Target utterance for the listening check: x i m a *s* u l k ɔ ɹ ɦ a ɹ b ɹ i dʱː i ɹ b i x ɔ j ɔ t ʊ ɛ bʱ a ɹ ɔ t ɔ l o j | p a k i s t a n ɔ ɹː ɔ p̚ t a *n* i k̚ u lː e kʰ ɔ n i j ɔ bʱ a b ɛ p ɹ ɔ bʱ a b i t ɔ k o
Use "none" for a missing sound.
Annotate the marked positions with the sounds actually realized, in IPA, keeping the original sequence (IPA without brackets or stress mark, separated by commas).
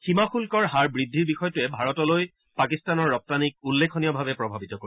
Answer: x, n